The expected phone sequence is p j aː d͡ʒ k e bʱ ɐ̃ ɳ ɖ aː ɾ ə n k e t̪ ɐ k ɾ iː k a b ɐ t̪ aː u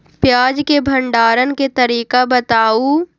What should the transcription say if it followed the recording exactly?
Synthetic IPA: p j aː d͡ʒ k e bʱ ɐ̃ ɳ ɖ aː ɾ ə n k e t̪ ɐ ɾ iː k a b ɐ t̪ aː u